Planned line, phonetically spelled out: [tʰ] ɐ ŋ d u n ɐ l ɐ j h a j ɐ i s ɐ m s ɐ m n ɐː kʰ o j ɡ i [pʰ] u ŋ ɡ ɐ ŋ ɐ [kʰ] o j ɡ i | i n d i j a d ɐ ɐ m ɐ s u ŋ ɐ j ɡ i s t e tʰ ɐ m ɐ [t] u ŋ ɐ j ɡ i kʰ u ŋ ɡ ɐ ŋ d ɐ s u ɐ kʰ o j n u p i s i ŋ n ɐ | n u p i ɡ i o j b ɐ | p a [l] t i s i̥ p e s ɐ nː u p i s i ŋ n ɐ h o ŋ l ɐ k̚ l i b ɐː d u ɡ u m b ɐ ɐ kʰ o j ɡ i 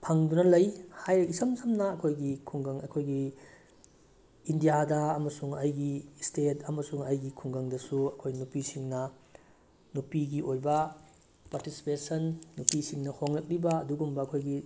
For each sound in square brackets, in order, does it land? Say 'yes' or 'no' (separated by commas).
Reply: no, no, yes, no, no